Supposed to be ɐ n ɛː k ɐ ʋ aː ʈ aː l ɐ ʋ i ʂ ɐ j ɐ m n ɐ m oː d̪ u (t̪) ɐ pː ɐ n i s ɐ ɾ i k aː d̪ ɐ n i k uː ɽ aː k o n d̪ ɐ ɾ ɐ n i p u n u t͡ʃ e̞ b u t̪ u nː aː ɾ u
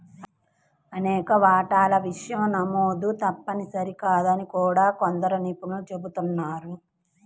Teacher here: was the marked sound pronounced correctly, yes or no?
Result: yes